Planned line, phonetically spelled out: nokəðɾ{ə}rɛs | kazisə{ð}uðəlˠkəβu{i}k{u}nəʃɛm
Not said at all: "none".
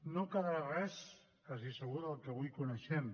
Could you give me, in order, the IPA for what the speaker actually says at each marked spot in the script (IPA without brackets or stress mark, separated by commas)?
a, ɣ, j, u